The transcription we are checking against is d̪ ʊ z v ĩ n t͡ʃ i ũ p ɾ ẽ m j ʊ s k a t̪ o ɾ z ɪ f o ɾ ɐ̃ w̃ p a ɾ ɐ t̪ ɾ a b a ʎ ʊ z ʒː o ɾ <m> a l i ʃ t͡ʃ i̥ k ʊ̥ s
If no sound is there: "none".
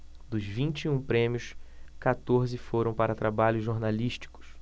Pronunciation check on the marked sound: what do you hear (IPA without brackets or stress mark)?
n